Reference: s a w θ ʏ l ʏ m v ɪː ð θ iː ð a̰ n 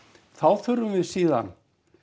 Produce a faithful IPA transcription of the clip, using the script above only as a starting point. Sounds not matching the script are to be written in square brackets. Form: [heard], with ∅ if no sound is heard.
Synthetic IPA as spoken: [θ] a w θ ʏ [ɾ] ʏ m v [ɪ] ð [s] iː ð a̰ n